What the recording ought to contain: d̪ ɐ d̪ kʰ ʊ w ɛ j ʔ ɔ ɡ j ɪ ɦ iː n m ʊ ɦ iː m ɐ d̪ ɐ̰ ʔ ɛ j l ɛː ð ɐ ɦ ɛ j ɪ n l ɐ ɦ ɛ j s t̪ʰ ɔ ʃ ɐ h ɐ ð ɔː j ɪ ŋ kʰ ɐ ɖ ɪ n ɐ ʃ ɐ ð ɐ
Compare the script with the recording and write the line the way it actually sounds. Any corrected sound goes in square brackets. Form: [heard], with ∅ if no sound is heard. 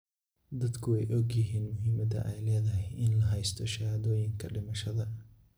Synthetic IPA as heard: d̪ ɐ d̪ kʰ ʊ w ɛ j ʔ ɔ ɡ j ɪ ɦ iː n m ʊ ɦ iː m ɐ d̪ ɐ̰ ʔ ɛ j l ɛː ð ɐ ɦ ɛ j ɪ n l ɐ ɦ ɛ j s t̪ʰ ɔ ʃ ɐ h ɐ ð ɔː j ɪ ŋ kʰ ɐ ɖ ɪ [m] ɐ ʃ ɐ ð ɐ